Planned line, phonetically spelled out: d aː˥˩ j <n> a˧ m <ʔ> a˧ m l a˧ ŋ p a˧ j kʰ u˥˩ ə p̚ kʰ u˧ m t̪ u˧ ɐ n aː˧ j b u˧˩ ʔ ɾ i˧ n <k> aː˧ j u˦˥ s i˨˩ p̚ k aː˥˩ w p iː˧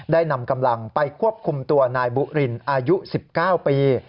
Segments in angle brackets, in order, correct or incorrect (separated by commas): correct, incorrect, incorrect